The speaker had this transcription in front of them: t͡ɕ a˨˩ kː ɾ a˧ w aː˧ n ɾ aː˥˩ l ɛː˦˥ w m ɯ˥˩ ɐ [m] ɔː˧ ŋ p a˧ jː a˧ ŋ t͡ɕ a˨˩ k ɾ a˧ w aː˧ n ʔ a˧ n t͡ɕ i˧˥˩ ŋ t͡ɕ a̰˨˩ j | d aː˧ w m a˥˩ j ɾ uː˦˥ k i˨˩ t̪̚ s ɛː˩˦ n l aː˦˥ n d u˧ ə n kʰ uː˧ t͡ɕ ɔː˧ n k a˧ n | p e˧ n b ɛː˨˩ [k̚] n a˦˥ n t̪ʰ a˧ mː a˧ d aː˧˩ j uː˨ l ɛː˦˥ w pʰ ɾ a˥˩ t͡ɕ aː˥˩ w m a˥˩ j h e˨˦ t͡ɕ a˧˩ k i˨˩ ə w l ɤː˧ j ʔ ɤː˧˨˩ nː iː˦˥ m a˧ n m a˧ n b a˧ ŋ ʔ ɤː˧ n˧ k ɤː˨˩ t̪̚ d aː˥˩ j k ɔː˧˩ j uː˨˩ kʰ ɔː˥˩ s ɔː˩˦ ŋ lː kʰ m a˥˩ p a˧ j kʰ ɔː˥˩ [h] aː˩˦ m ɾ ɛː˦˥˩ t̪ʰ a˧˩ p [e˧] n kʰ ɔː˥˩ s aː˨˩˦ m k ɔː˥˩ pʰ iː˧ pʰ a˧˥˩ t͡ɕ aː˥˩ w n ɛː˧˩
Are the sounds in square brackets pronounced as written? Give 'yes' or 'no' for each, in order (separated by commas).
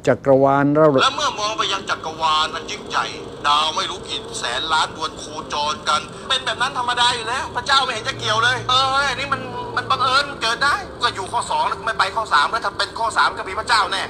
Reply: yes, no, no, yes